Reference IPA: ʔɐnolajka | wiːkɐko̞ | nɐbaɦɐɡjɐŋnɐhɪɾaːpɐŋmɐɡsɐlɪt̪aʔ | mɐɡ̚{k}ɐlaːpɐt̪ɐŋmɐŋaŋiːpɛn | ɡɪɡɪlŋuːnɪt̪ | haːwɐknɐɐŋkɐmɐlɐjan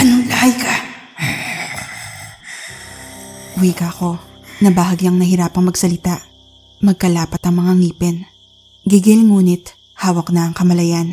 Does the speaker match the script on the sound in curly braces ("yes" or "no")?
yes